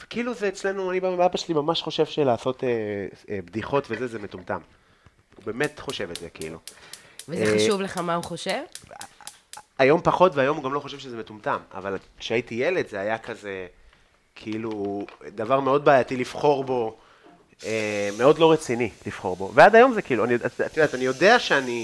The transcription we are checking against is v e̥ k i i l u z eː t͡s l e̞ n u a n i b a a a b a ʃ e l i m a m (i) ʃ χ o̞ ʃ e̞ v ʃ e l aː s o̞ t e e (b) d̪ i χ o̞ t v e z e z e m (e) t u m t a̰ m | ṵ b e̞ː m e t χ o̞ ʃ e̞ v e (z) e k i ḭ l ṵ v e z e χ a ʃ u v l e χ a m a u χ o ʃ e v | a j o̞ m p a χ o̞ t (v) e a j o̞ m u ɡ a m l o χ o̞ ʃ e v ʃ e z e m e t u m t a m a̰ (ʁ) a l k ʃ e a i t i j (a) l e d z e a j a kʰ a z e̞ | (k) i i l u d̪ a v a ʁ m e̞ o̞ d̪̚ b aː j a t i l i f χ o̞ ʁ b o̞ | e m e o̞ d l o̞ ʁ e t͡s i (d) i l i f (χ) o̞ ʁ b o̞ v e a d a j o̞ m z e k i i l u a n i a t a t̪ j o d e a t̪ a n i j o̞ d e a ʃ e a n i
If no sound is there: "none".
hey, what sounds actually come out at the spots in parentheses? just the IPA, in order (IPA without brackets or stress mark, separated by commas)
a, b, e, z, v, v, e, kʰ, n, χ